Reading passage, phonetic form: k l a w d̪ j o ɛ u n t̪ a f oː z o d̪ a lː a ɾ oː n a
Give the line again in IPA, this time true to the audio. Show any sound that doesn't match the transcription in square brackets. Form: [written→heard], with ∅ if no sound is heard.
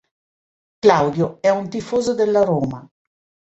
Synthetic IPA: k l a w d̪ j o ɛ u n t̪ [a→i] f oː z o d̪ [a→e] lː a ɾ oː [n→m] a